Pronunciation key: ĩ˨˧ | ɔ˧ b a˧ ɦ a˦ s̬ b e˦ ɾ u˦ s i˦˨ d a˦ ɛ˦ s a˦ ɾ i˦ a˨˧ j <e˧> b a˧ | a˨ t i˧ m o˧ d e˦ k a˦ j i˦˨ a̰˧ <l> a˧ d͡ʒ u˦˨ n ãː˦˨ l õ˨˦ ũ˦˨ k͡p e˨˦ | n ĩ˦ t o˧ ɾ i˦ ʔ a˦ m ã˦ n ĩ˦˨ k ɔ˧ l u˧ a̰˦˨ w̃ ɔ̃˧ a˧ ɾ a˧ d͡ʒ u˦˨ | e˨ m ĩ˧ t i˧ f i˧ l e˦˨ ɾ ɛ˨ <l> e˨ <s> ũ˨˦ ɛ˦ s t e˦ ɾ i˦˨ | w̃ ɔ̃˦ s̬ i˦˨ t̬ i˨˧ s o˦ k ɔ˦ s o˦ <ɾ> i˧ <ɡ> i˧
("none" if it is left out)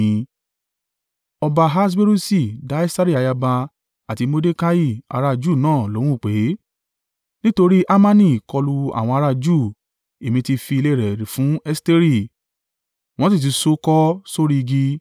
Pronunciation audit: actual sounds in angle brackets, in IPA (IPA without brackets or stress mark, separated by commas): a˧, ɾ, ɾ, f, ɾ, ɡ